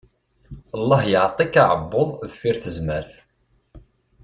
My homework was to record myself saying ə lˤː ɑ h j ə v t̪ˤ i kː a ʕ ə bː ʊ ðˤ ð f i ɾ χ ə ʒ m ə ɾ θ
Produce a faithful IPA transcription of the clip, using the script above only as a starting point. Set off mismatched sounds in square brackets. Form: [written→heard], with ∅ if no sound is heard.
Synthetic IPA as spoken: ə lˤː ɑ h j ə [v→ʕ] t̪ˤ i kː a ʕ ə bː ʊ ðˤ ð f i ɾ [χ→θ] ə [ʒ→z] m ə ɾ θ